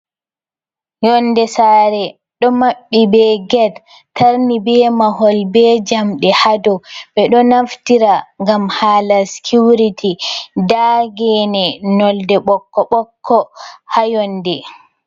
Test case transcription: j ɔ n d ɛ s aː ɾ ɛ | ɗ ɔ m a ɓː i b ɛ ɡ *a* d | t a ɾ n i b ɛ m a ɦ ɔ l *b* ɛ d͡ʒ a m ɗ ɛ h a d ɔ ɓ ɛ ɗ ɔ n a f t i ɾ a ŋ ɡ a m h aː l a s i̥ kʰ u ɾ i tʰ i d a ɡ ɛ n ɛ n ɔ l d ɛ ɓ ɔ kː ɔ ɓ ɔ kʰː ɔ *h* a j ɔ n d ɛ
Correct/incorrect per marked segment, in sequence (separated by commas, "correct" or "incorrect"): incorrect, correct, correct